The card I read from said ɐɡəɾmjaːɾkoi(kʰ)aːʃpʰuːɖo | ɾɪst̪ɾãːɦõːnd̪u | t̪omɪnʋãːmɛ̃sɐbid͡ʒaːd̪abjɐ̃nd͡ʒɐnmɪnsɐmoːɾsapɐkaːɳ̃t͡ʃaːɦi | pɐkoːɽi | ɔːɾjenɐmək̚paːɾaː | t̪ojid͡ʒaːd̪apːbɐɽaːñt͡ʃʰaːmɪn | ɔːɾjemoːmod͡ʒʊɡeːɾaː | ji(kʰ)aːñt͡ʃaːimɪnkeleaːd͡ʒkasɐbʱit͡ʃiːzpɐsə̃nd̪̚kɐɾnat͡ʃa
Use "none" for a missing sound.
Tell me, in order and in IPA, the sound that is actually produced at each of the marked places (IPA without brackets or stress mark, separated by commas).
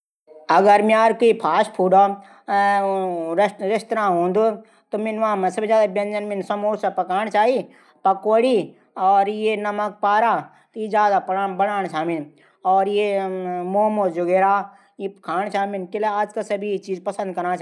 pʰ, kʰ